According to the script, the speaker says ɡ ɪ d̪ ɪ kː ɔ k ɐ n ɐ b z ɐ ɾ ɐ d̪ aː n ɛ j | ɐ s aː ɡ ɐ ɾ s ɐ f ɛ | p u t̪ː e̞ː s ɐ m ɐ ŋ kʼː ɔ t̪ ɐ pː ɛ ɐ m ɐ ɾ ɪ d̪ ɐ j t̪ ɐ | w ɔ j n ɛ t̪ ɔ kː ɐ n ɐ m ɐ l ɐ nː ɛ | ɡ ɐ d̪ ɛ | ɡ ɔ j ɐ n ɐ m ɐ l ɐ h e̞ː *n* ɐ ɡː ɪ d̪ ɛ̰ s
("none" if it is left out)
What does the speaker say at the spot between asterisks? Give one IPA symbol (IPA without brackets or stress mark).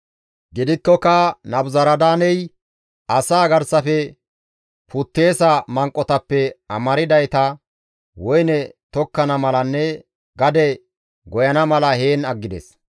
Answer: n